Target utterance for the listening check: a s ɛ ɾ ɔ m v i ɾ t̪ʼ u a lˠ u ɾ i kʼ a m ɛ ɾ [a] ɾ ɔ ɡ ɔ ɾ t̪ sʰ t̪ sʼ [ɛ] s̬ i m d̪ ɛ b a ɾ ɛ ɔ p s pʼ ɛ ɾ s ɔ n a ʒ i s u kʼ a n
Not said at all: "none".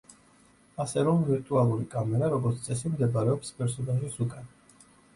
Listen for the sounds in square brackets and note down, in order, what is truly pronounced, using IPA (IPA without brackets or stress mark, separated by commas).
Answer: a, ɛ